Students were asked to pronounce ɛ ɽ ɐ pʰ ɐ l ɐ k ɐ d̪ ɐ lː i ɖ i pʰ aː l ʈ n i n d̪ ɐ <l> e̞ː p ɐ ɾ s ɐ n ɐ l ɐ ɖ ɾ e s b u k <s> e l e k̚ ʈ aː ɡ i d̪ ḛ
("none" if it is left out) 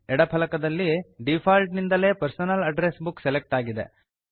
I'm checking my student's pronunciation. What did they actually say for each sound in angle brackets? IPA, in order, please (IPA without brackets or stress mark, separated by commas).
l, s